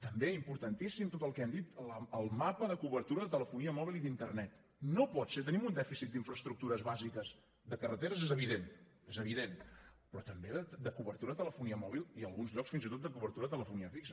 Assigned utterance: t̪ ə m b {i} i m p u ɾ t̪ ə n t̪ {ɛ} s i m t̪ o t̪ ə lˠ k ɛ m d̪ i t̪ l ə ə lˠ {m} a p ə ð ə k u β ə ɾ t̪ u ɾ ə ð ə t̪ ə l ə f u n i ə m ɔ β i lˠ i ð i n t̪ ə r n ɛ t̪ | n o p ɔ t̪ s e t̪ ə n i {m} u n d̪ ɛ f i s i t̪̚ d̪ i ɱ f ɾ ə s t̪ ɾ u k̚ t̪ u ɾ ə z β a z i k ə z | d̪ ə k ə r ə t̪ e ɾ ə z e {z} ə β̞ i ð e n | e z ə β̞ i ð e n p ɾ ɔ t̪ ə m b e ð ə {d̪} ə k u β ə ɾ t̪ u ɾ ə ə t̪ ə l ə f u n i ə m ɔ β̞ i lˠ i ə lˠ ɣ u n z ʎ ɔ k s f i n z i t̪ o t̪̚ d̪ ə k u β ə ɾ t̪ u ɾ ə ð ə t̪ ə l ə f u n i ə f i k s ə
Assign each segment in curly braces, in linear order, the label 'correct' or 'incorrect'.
incorrect: e, incorrect: i, correct, correct, correct, correct

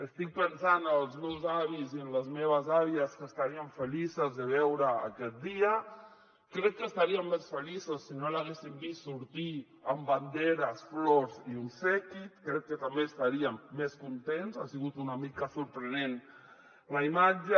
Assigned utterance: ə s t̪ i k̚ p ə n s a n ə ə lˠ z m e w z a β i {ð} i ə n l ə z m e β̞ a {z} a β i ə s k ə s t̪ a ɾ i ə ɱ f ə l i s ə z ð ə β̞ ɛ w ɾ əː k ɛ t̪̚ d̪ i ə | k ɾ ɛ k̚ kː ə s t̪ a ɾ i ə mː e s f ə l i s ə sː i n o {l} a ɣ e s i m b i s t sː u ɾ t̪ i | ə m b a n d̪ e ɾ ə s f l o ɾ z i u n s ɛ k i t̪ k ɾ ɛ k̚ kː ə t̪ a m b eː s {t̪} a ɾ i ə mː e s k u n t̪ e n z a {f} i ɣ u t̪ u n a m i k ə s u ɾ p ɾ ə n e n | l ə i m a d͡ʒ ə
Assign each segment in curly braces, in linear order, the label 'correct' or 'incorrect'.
incorrect: z, correct, correct, correct, incorrect: s

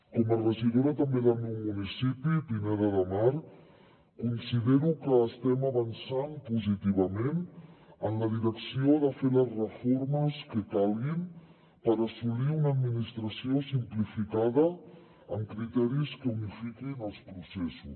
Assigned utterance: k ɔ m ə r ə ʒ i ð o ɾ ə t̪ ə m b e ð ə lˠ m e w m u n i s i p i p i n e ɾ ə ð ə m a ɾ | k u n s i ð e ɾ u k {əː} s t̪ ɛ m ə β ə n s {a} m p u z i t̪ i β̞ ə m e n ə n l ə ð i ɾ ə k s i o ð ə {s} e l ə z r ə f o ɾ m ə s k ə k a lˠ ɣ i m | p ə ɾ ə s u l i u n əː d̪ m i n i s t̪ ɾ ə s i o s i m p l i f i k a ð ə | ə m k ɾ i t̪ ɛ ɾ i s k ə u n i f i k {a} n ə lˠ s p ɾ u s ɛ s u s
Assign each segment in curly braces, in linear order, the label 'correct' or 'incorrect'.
correct, correct, incorrect: f, incorrect: i

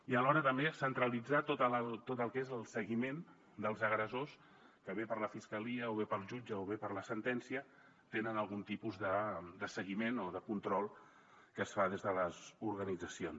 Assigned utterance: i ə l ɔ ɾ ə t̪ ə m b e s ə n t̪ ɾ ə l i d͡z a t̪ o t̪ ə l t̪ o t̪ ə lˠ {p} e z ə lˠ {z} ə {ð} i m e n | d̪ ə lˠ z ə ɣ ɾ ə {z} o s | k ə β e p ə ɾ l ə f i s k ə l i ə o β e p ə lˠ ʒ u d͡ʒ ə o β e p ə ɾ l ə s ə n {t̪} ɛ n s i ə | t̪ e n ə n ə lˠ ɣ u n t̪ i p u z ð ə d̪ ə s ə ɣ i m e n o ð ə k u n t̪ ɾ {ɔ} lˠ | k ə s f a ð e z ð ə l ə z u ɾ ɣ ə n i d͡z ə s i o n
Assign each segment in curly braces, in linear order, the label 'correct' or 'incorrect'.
incorrect: k, incorrect: s, incorrect: ɣ, correct, correct, correct

